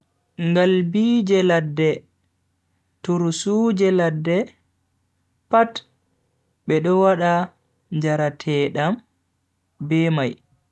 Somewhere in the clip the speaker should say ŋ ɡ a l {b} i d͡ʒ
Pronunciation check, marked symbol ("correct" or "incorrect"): correct